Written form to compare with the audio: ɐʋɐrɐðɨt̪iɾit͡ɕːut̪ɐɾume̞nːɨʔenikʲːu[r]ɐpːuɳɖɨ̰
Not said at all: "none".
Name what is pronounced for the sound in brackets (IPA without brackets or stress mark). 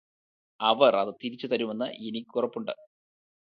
r